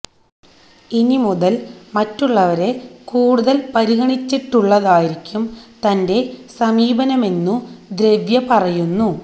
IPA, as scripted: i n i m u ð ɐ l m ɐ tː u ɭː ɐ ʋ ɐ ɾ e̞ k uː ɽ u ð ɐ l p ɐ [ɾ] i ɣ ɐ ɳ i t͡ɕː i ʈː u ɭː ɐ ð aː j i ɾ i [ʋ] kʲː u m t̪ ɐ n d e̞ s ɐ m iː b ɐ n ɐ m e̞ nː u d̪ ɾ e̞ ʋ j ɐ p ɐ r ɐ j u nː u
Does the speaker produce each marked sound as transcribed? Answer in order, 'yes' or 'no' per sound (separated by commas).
yes, no